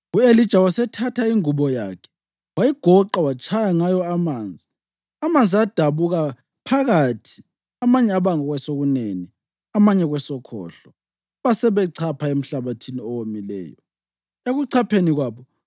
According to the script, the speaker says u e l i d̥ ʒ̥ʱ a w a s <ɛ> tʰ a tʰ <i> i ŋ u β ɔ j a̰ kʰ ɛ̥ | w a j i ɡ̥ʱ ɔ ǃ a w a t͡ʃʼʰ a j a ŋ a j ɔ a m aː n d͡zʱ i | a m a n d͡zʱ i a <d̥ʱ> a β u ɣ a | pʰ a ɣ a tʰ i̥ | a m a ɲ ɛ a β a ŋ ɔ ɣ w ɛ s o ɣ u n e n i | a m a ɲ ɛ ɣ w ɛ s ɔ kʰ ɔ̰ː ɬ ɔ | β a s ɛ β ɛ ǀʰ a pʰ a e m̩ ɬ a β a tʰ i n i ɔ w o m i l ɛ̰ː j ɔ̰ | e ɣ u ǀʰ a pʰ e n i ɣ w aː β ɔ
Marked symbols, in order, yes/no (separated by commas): yes, no, yes